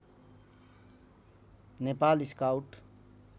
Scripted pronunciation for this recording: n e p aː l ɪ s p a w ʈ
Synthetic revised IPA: n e p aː l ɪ s k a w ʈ